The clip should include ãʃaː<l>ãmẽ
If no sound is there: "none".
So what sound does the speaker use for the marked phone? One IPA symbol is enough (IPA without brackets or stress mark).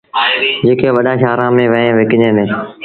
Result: ɾ